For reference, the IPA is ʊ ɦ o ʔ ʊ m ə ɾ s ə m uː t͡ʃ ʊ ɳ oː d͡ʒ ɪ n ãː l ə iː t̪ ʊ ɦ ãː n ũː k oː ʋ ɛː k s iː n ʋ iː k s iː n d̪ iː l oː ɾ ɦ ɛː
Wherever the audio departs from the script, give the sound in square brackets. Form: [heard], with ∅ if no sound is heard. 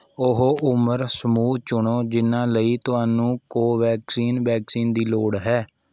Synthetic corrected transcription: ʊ ɦ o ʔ ʊ m ə ɾ s ə m uː t͡ʃ ʊ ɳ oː d͡ʒ ɪ n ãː l ə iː t̪ ʊ ɦ [aː] n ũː k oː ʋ ɛː k s iː n ʋ [ɛː] k s iː n d̪ iː l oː [ɽ] ɦ ɛː

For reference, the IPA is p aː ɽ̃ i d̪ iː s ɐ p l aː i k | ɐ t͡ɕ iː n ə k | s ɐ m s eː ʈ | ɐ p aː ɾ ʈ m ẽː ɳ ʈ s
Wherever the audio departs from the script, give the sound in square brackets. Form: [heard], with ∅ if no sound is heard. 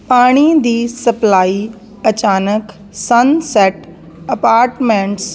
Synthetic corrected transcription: p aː ɽ̃ i d̪ iː s ɐ p l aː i [∅] | ɐ t͡ɕ [aː] n ə k | s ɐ [n] s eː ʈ | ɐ p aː ɾ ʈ m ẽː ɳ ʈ s

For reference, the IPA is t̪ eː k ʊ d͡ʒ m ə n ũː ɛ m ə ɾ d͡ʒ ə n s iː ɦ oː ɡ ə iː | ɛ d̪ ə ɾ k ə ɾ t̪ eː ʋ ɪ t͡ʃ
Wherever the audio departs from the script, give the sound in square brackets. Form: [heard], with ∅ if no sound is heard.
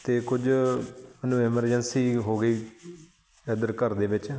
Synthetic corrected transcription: t̪ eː k ʊ d͡ʒ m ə n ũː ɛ m ə ɾ d͡ʒ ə n s iː ɦ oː ɡ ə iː | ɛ d̪ ə ɾ k ə ɾ [d̪] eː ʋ ɪ t͡ʃ

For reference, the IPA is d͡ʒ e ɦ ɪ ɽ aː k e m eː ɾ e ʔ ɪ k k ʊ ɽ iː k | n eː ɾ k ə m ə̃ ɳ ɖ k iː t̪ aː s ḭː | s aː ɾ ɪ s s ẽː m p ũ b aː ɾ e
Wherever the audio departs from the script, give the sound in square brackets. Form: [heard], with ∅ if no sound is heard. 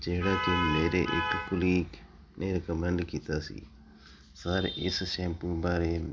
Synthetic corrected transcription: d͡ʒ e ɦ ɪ ɽ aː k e m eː ɾ e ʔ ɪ k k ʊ [l] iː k | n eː ɾ k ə m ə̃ ɳ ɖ k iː t̪ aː s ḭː | s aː ɾ ɪ s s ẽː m p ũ b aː ɾ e

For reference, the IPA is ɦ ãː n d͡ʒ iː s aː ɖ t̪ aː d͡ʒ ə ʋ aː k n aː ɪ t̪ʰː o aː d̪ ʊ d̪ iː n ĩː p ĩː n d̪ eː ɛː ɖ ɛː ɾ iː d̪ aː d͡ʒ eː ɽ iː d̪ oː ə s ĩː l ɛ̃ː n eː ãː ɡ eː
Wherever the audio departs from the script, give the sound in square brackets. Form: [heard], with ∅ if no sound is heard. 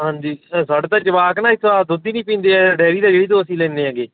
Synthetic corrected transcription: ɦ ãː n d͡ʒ iː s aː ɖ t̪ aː d͡ʒ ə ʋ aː k n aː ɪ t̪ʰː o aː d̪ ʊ d̪ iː n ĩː p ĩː n d̪ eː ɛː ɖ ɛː ɾ iː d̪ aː d͡ʒ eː ɽ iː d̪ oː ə s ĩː l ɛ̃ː n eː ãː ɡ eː

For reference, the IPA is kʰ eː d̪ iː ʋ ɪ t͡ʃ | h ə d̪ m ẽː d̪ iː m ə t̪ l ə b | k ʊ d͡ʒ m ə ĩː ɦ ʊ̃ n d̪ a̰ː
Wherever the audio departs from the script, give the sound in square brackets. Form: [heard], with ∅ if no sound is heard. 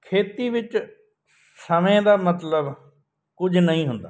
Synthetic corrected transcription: kʰ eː [t̪] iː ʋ ɪ t͡ʃ | [s] ə [∅] m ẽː d̪ [aː] m ə t̪ l ə b | k ʊ d͡ʒ [n] ə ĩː ɦ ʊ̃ n d̪ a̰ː

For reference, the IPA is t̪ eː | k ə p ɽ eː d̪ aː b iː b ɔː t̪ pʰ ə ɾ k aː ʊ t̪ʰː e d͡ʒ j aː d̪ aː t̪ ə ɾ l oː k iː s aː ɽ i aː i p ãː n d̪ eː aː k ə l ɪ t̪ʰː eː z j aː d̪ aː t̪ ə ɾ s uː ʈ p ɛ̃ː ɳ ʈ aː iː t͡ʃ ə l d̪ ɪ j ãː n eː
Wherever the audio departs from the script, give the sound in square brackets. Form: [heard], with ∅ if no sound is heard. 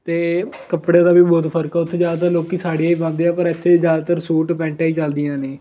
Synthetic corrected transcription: t̪ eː | k ə p ɽ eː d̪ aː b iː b ɔː t̪ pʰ ə ɾ k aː ʊ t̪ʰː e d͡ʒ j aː d̪ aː t̪ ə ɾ l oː k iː s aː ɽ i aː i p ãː n d̪ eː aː [p] ə [ɾ] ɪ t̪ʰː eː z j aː d̪ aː t̪ ə ɾ s uː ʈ p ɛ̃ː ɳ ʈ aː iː t͡ʃ ə l d̪ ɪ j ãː n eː

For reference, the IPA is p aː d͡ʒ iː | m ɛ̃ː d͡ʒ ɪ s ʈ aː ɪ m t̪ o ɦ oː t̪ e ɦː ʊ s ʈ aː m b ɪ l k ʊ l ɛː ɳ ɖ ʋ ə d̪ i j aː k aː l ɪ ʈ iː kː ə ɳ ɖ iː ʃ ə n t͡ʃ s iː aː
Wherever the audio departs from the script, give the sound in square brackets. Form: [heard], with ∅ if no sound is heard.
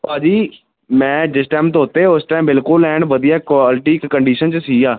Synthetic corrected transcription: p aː d͡ʒ iː | m ɛ̃ː d͡ʒ ɪ s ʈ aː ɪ m t̪ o ɦ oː t̪ e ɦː ʊ s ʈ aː m b ɪ l k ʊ l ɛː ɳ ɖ ʋ ə d̪ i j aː k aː l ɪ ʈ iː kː ə ɳ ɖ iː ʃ ə n t͡ʃ s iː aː

